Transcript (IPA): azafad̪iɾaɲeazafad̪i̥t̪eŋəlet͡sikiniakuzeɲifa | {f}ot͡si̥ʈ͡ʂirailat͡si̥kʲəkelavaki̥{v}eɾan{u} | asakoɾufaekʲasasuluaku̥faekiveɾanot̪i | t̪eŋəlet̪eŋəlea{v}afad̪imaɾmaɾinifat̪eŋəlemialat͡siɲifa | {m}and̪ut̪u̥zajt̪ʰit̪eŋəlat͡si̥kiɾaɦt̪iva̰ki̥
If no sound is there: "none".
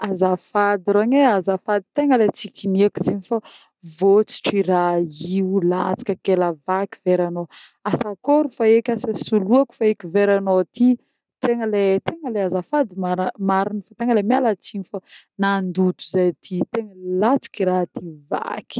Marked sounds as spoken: v, v, o, z, n

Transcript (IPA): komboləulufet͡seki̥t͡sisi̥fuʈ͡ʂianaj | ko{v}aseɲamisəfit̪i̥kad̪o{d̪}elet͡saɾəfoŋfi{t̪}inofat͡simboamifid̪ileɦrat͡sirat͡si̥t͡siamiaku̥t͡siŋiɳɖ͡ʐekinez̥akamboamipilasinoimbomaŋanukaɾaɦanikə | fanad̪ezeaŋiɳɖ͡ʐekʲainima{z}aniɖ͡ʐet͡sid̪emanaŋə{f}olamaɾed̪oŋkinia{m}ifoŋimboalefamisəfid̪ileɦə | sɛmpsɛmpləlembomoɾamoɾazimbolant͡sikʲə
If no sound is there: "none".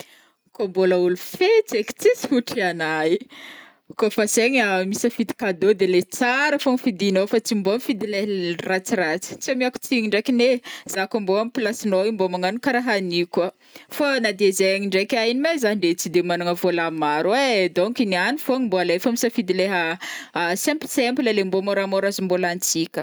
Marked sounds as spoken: f, d̪, d̪, z, v, n

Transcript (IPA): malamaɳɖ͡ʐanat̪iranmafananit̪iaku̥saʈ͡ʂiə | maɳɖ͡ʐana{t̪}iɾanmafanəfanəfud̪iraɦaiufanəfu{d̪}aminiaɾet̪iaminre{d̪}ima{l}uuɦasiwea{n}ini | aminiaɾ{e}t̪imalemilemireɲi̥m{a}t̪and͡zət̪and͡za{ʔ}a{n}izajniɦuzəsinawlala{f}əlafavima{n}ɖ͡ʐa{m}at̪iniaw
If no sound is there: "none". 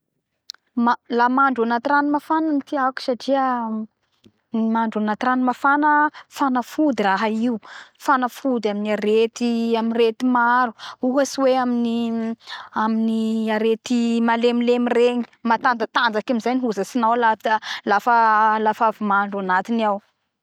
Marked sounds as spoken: t̪, d̪, t̪, ɾ, m, e, a, k, m, f, ɳ, n

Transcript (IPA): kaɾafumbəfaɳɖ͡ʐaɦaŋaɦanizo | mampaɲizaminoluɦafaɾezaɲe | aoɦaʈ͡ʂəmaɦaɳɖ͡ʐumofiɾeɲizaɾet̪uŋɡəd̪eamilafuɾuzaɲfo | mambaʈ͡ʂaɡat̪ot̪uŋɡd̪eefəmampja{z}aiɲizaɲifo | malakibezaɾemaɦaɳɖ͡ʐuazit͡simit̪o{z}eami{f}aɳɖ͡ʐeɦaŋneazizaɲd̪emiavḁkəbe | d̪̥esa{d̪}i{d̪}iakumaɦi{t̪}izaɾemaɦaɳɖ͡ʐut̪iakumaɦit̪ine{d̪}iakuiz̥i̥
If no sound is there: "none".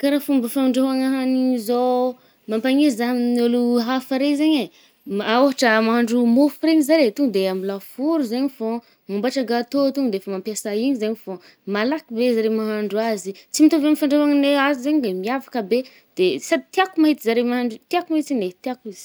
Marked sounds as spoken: s, v, f, d̪, t̪, t̪, t̪

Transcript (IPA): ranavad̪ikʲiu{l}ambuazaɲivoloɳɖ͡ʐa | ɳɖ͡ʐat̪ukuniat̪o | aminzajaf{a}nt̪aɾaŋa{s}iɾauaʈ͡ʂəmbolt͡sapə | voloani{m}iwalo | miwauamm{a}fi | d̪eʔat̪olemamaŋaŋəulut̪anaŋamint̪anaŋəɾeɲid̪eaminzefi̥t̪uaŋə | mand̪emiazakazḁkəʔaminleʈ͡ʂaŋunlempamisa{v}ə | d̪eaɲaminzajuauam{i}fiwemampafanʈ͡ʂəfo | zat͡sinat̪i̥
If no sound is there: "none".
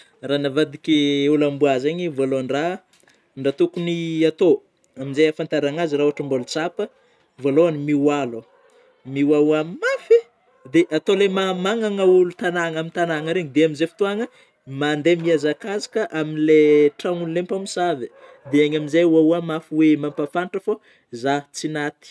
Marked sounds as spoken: l, a, z, m, a, v, a

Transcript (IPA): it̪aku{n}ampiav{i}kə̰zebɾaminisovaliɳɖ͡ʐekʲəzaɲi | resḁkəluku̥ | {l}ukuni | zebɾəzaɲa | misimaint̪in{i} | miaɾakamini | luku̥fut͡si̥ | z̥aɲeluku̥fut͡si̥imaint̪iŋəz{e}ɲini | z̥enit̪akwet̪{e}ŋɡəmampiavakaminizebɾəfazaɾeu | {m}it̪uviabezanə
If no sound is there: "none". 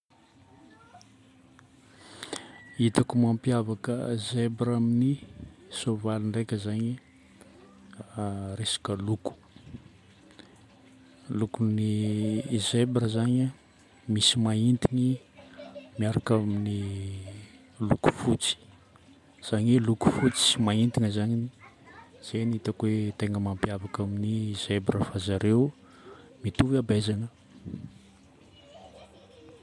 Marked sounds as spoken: m, a, l, i, a, e, m

